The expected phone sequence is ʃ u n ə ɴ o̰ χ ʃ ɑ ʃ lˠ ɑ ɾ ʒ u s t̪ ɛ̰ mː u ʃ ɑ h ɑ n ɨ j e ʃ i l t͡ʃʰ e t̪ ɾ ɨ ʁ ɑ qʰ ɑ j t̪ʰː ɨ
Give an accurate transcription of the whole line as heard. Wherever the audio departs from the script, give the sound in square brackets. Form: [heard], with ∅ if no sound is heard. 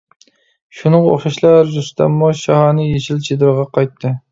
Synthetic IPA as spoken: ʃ u n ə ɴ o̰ χ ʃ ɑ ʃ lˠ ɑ ɾ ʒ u s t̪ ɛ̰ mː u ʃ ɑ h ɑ n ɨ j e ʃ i l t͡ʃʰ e [d̪] ɾ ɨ ʁ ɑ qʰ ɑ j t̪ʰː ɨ